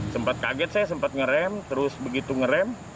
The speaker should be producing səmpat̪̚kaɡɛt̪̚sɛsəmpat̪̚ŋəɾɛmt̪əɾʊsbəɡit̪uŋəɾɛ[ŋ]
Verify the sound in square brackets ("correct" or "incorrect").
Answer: incorrect